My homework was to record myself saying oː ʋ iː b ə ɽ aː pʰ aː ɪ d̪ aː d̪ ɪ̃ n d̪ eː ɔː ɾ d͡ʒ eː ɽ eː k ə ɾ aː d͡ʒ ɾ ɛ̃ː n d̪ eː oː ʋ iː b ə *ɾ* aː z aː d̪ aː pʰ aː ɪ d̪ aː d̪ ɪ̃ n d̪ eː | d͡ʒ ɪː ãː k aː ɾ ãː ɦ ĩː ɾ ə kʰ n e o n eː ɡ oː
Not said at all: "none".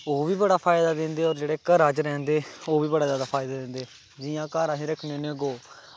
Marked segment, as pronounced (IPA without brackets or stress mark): ɽ